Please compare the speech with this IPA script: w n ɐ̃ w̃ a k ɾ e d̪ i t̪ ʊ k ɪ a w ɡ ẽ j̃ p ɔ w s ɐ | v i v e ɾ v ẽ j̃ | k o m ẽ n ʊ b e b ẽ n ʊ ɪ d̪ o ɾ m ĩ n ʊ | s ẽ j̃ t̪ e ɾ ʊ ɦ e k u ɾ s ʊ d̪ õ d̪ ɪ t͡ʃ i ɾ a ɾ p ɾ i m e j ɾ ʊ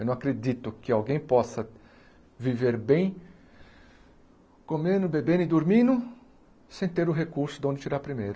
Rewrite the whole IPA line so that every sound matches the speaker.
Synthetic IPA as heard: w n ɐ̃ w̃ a k ɾ e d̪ i t̪ ʊ k ɪ a w ɡ ẽ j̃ p ɔ s ɐ | v i v e ɾ b ẽ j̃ | k o m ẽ n ʊ b e b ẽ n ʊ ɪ d̪ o ɾ m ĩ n ʊ | s ẽ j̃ t̪ e ɾ ʊ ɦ e k u ɾ s ʊ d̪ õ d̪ ɪ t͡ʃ i ɾ a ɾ p ɾ i m e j ɾ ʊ